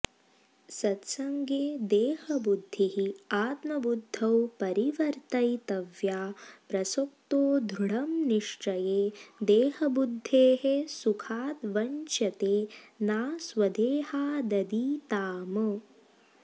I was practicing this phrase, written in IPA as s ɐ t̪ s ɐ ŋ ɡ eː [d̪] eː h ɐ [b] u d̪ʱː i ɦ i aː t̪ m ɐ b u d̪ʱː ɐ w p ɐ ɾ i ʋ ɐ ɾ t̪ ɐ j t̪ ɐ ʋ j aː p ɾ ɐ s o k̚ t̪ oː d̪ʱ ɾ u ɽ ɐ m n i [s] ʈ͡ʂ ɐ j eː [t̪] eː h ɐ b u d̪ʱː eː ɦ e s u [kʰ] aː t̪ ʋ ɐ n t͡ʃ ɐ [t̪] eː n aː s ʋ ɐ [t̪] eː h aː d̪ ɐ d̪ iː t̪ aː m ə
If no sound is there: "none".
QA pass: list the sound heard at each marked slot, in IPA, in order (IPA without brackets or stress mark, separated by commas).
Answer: d̪, b, ʂ, d̪, kʰ, t̪, d̪